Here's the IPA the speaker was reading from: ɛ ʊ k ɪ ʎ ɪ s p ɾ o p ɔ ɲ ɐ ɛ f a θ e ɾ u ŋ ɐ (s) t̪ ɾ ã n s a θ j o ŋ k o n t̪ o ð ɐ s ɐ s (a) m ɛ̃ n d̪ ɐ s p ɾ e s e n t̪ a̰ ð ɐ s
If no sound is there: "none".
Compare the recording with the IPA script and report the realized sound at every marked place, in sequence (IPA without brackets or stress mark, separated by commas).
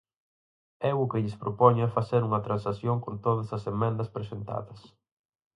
none, e